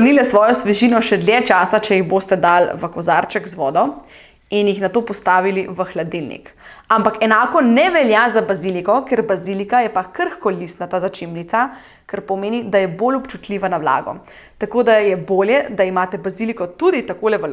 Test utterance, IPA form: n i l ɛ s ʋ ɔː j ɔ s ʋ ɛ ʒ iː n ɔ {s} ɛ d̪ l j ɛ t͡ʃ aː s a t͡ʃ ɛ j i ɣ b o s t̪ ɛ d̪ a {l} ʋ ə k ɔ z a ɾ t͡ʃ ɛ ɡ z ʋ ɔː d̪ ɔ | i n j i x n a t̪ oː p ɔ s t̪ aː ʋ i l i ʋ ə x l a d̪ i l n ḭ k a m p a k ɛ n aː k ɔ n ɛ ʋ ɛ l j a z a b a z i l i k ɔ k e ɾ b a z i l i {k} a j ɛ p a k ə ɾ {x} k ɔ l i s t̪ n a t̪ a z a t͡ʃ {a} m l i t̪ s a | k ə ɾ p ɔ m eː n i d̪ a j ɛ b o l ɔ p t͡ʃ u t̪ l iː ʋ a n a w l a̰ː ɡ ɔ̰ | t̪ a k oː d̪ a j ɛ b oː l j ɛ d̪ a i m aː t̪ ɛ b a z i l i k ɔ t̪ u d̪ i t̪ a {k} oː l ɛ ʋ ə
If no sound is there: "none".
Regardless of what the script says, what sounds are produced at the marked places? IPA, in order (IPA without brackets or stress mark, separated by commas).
ʃ, l, k, x, i, k